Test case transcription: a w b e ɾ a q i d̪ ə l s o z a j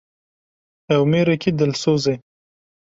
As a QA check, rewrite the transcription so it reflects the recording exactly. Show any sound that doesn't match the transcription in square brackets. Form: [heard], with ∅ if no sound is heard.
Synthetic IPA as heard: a w [m] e ɾ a [k] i d̪ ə l s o z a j